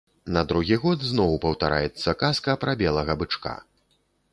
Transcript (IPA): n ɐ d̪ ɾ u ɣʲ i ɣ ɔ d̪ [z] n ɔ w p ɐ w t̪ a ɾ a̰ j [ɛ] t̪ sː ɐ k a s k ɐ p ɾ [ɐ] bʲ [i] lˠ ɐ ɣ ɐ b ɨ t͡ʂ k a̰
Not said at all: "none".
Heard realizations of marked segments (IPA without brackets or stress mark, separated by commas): z, ɛ, a, ɛ